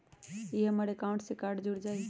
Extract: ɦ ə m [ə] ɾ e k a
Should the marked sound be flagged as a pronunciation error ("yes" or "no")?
no